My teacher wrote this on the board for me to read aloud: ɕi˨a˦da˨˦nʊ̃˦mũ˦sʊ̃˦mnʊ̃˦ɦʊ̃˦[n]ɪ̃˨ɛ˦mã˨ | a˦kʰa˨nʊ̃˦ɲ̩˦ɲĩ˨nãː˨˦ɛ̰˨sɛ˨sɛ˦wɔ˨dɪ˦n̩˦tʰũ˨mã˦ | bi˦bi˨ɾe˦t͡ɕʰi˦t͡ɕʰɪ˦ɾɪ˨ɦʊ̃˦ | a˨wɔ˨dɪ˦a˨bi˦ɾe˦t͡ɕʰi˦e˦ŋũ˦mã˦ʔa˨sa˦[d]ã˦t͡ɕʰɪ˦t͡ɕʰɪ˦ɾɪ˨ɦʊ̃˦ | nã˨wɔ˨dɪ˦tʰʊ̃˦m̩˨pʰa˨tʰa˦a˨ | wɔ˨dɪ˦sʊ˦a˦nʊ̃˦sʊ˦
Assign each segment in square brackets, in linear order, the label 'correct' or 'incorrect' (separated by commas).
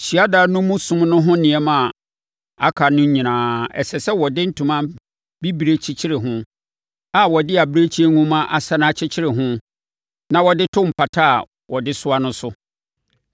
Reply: correct, incorrect